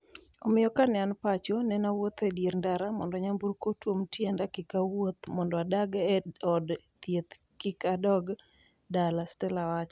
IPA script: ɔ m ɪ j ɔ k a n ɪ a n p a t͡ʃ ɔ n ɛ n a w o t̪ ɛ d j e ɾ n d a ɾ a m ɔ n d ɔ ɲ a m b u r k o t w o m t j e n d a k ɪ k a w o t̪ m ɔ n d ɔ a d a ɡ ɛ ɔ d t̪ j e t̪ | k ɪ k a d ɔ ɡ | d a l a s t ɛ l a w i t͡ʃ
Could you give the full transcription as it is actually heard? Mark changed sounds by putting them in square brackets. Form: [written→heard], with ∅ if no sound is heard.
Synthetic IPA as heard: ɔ m ɪ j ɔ k a n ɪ a n p a t͡ʃ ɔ n ɛ n a w o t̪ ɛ d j e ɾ n d a ɾ a m ɔ n d ɔ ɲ a m b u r k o t w o m t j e n d a k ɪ k a w o t̪ m ɔ n d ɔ a d a ɡ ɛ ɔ d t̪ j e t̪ | k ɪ k a d ɔ ɡ | d a l a s t ɛ l a w [i→a] t͡ʃ

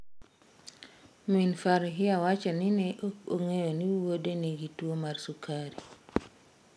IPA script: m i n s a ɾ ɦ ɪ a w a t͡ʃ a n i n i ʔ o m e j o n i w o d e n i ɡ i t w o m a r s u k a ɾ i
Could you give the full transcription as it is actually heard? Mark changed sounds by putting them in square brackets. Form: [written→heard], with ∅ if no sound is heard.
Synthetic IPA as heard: m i n [s→f] a ɾ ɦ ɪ a w a t͡ʃ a n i n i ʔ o [m→ŋ] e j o n i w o d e n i ɡ i t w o m a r s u k a ɾ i

